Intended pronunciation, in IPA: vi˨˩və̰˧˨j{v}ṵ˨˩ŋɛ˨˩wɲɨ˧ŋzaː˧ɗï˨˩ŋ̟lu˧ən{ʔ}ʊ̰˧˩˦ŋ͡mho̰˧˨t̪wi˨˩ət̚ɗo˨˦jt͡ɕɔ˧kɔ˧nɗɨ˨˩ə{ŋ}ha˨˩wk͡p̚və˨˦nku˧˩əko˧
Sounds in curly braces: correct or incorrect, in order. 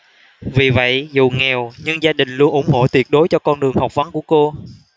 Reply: incorrect: z, correct, correct

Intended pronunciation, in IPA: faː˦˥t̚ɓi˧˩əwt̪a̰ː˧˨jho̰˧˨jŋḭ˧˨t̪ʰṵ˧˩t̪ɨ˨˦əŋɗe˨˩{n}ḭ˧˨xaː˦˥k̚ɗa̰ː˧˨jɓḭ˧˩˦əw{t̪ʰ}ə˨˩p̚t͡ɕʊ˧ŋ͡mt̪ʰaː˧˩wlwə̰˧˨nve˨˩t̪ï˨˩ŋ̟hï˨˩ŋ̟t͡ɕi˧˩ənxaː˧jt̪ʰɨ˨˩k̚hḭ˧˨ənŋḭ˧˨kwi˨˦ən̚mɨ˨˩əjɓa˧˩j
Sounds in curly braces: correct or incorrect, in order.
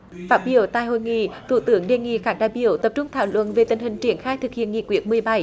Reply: incorrect: ŋ, incorrect: t̪

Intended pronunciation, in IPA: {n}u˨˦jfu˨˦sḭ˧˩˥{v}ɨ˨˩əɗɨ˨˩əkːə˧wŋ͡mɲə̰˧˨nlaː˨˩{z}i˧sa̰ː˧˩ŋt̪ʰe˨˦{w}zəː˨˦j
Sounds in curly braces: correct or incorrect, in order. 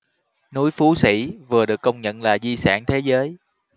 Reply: correct, correct, correct, incorrect: none

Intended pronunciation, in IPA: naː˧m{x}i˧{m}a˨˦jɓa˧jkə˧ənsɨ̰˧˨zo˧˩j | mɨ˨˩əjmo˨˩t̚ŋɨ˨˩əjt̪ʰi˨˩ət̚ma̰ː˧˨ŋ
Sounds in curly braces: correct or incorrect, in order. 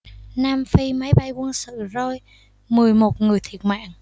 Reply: incorrect: f, correct

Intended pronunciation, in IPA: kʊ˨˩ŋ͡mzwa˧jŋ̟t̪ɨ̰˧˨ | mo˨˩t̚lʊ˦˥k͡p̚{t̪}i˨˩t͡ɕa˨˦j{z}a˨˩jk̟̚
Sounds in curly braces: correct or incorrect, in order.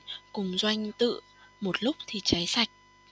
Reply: incorrect: t̪ʰ, incorrect: s

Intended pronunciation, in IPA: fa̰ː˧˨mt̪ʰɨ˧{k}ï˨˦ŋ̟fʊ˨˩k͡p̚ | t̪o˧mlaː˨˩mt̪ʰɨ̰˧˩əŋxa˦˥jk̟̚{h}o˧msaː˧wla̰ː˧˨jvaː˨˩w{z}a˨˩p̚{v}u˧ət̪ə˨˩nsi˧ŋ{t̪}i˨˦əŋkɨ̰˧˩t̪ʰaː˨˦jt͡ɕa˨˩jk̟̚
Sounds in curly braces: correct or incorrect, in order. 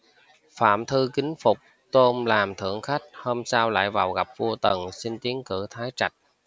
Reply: correct, correct, incorrect: ɣ, correct, correct

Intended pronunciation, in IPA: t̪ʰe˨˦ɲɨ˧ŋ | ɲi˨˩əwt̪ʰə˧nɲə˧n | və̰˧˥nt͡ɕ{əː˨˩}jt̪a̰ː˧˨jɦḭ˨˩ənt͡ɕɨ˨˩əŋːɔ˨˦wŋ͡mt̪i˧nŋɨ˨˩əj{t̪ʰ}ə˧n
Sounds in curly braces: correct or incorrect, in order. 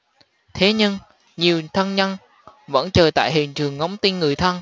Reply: correct, correct

